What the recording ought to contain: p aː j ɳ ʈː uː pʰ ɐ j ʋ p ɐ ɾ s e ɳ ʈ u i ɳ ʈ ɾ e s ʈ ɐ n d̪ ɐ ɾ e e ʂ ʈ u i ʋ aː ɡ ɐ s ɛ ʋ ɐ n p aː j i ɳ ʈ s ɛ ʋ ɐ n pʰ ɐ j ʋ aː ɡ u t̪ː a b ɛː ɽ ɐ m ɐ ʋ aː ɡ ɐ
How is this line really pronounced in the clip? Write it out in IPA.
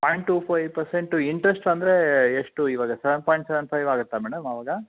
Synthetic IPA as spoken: p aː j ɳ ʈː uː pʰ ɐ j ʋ p ɐ ɾ s e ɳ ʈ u i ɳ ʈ ɾ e s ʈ ɐ n d̪ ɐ ɾ e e ʂ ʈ u i ʋ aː ɡ ɐ s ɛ ʋ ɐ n p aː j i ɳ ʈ s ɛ ʋ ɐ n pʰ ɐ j ʋ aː ɡ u t̪ː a m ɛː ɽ ɐ m ɐ ʋ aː ɡ ɐ